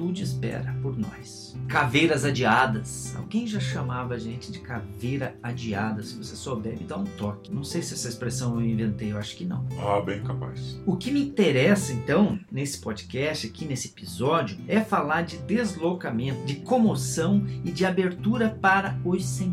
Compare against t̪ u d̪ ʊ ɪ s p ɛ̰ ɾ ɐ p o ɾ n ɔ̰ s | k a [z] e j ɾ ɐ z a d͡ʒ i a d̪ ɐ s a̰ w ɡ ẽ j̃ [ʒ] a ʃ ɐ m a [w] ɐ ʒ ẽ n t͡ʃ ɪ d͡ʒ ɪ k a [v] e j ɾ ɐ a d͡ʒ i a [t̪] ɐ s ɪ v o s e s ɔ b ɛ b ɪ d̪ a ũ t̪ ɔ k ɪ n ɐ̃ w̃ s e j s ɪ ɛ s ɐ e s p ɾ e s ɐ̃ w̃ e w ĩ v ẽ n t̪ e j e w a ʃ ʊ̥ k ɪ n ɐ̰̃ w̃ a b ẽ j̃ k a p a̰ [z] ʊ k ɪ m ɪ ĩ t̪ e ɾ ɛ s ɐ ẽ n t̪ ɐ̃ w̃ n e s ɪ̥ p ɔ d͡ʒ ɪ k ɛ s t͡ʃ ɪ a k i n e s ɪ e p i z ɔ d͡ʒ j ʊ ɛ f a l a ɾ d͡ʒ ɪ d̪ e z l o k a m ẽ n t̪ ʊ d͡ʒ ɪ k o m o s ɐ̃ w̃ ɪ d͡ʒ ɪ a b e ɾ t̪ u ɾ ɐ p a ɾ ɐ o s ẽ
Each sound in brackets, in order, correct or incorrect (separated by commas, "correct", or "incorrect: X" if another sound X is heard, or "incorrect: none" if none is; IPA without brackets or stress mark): incorrect: v, correct, incorrect: v, correct, incorrect: d̪, incorrect: s